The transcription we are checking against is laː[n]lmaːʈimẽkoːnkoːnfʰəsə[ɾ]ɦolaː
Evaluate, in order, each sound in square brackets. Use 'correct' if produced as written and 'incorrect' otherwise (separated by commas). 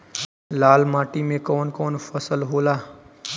incorrect, incorrect